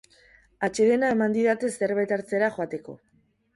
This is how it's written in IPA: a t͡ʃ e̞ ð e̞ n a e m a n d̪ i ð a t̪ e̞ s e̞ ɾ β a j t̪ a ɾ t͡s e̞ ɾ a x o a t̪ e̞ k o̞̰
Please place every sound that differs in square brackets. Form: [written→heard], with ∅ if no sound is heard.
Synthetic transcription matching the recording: a t͡ʃ e̞ ð e̞ n a e m a n d̪ i ð a t̪ e̞ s e̞ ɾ β a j t̪ a ɾ t͡s e̞ ɾ a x o a t̪ e̞ k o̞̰